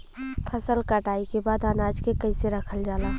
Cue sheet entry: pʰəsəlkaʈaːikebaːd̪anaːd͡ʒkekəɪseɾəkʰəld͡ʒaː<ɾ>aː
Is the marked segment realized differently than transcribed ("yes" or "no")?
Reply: yes